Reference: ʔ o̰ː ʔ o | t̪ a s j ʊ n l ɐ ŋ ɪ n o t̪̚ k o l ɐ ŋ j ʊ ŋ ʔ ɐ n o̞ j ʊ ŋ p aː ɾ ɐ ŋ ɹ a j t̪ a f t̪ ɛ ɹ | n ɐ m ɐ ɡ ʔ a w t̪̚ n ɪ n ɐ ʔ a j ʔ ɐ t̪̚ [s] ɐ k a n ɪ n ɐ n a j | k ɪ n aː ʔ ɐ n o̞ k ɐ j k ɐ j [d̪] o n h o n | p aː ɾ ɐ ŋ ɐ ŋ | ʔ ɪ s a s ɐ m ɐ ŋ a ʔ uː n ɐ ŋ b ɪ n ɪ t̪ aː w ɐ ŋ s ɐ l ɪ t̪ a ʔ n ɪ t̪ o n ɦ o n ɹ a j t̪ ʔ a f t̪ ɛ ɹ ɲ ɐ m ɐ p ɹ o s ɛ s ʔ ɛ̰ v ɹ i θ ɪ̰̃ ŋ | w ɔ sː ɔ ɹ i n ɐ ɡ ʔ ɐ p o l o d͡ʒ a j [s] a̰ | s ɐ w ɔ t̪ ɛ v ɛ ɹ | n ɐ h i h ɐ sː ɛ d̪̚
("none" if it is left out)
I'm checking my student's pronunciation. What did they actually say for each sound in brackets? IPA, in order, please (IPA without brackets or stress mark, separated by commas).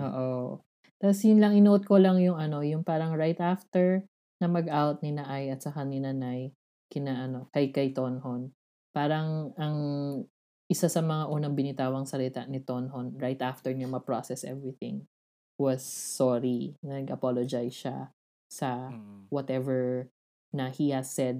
s, t̪, ʃ